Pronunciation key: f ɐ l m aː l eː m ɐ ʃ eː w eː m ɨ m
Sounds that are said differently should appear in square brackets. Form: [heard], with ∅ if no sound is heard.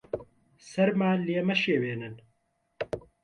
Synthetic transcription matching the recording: [s] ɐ [ɾ] m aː l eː m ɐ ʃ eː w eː [n] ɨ [n]